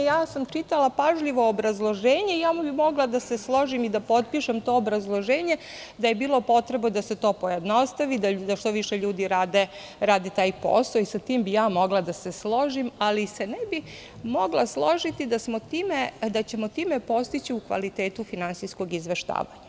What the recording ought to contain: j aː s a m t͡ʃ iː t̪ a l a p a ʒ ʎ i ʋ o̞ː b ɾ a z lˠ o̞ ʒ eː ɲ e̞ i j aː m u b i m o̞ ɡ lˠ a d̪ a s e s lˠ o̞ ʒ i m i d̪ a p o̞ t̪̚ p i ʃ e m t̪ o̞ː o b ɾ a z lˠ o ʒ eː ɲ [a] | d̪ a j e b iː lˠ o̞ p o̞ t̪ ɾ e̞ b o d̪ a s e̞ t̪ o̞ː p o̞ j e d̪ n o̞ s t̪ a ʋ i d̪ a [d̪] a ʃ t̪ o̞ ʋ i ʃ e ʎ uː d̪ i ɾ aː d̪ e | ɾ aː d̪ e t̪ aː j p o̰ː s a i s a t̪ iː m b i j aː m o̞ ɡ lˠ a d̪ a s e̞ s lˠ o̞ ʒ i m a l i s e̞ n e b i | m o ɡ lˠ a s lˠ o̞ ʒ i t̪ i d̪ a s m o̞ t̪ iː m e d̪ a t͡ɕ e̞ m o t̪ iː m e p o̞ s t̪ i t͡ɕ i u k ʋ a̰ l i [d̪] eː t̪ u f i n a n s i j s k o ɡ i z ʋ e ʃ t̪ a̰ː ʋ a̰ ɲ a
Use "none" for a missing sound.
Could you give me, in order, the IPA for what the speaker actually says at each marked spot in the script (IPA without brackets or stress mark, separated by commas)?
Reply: e, d̪, t̪